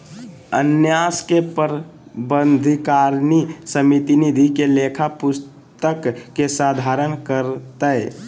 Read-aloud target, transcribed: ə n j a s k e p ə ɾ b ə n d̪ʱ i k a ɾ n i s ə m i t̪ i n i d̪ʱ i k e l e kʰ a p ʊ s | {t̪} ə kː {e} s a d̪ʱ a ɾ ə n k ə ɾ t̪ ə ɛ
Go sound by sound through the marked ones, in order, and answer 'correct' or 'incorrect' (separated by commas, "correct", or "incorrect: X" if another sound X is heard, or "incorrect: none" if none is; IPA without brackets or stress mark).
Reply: correct, correct